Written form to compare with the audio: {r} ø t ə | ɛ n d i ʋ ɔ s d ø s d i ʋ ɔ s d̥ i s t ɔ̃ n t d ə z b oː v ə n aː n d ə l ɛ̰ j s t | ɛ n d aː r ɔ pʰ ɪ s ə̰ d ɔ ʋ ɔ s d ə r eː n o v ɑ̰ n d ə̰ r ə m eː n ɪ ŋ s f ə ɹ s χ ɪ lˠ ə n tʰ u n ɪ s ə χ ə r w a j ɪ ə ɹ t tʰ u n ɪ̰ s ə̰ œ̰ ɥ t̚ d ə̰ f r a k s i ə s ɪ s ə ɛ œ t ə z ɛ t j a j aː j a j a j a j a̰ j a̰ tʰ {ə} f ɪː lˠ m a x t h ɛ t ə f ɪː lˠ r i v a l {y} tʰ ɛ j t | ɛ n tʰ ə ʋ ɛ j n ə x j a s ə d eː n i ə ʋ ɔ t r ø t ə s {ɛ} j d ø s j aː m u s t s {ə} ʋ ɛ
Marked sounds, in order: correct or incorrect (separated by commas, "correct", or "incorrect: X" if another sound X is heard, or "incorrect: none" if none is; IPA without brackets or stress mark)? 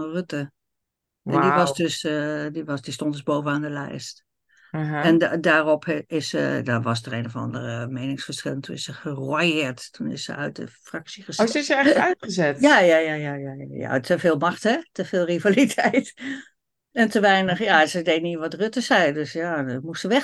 correct, correct, incorrect: i, correct, correct